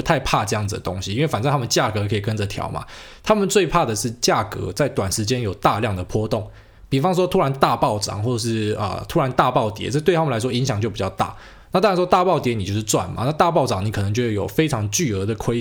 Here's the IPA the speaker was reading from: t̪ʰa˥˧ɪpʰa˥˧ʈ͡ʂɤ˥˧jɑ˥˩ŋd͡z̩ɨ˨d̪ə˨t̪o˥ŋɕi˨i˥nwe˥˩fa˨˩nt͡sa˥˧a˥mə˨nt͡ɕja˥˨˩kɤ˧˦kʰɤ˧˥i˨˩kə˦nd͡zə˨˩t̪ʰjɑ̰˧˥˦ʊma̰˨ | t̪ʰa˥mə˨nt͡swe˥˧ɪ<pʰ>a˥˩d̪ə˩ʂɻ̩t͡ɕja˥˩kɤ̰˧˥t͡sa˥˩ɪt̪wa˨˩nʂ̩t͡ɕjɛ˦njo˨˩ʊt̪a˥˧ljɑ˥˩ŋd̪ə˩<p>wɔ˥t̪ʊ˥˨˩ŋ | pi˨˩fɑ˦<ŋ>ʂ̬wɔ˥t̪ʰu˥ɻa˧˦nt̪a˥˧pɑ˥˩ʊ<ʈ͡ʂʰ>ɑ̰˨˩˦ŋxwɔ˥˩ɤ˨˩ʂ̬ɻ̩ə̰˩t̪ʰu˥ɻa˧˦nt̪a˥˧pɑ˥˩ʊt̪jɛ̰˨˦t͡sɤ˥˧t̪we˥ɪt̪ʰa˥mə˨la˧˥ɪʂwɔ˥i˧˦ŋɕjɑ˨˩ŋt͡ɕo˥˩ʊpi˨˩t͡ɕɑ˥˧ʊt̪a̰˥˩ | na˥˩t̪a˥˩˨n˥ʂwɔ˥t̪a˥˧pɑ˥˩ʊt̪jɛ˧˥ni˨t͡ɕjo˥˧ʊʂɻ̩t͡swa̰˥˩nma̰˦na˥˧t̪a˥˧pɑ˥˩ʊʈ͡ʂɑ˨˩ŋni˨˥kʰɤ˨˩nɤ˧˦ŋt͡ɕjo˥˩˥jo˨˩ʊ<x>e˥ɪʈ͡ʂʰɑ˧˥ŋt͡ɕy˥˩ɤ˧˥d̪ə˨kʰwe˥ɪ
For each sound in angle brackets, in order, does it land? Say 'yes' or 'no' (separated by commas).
yes, no, yes, no, no